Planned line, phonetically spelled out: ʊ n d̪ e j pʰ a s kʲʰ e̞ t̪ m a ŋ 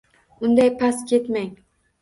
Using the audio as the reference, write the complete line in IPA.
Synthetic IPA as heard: ʊ n d̪ a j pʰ a s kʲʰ e̞ t̪ m a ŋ